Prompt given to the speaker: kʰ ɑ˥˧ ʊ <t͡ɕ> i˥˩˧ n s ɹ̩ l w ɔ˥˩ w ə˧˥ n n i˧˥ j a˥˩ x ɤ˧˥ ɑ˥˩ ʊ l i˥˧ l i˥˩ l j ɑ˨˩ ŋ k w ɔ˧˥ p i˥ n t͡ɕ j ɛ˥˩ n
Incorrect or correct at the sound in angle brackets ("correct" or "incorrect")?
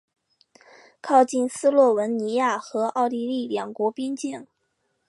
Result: correct